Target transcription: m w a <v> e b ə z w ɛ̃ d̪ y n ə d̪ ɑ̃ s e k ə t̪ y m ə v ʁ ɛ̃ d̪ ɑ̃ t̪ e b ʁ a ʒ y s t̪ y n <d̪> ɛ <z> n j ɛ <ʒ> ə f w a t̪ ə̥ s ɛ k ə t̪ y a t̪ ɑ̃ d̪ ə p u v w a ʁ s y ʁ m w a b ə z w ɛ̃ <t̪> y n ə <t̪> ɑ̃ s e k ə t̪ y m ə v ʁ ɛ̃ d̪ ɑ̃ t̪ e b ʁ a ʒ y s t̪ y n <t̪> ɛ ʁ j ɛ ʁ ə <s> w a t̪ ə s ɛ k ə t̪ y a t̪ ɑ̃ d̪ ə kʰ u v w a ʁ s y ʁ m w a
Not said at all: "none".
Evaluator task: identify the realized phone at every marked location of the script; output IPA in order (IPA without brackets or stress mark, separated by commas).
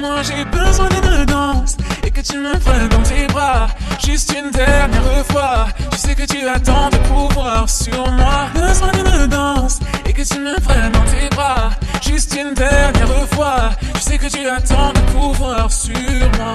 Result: ʒ, d̪, ʁ, ʁ, d̪, d̪, d̪, f